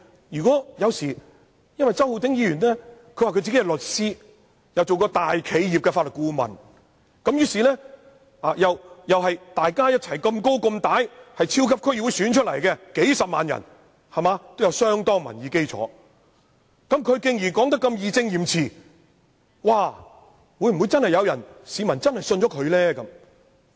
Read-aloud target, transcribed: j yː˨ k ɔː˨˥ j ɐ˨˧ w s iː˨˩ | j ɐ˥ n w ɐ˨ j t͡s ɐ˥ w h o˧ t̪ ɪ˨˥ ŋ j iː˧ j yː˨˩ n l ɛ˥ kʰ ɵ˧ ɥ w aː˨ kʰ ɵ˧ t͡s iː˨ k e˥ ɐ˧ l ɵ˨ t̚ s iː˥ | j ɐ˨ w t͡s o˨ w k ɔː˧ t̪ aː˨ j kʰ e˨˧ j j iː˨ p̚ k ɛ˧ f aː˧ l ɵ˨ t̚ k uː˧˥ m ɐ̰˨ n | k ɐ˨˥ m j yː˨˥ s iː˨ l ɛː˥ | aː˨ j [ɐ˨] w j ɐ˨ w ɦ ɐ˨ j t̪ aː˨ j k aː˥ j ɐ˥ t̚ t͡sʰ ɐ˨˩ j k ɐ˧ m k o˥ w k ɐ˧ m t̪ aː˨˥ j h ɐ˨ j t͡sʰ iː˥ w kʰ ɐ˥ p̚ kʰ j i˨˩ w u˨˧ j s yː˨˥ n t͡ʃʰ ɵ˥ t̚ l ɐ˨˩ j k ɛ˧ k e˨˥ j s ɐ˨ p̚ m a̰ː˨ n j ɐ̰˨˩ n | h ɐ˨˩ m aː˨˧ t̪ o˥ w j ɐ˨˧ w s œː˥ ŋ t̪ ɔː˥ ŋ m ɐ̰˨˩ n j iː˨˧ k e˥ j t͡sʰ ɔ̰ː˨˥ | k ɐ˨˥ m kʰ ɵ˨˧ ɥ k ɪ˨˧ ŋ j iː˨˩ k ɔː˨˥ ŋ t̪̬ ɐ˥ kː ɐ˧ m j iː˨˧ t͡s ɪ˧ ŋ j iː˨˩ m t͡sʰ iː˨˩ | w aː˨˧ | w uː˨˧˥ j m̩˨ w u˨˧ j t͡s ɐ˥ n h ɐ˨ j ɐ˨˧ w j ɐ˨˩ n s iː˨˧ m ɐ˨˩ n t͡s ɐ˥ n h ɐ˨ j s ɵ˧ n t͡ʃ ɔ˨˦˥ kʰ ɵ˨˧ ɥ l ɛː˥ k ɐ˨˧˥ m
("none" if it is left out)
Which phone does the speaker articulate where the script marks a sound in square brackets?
ɐ˨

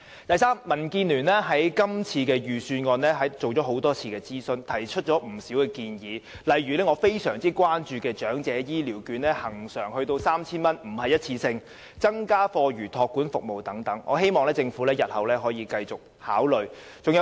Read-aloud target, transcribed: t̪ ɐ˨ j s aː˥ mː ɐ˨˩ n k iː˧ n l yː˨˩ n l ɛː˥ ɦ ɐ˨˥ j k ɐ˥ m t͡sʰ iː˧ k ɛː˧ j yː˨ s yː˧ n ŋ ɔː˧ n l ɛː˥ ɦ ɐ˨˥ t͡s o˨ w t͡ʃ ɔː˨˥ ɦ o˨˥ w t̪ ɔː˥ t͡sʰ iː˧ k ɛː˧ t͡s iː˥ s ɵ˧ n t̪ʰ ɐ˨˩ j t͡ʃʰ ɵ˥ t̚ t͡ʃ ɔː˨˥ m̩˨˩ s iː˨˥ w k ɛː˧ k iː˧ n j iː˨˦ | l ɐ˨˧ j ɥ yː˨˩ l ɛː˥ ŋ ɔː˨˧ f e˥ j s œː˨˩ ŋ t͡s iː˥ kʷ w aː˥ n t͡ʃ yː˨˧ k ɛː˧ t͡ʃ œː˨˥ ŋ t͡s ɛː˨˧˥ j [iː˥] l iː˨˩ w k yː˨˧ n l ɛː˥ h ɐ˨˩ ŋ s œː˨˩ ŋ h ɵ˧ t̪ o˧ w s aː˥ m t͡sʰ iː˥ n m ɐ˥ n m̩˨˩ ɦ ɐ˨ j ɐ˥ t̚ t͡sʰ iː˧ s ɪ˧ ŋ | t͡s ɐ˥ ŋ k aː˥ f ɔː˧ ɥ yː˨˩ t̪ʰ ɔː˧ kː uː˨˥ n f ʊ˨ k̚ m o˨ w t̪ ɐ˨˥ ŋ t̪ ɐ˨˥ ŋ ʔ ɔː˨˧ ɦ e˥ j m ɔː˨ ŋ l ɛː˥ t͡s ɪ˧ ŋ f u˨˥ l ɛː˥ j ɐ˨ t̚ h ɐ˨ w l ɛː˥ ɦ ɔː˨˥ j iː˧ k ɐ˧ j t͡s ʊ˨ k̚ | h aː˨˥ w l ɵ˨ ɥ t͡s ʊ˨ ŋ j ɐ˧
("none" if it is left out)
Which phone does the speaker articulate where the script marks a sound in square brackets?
iː˥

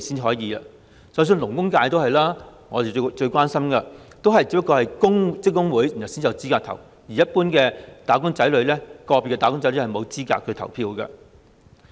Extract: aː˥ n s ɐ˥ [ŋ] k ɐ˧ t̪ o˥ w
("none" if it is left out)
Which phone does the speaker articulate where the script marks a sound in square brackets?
m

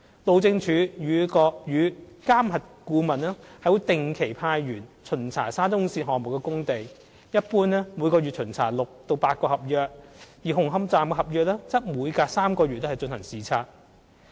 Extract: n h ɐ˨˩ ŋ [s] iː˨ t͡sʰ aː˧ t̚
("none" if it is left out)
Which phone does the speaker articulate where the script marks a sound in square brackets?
s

